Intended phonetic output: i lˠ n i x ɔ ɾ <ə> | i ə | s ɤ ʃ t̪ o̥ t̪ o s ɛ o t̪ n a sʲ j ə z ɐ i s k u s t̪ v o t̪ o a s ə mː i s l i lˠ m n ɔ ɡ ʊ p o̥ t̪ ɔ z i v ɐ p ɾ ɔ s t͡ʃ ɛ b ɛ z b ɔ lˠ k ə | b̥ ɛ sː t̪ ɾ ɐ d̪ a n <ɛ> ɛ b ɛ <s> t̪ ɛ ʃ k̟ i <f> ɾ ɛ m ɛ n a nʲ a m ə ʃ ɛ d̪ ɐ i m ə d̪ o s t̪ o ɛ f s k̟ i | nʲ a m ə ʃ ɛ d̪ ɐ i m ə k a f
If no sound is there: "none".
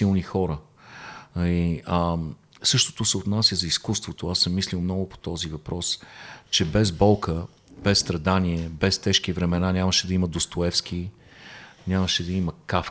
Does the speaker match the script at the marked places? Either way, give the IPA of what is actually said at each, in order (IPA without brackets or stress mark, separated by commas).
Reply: ə, i, s, v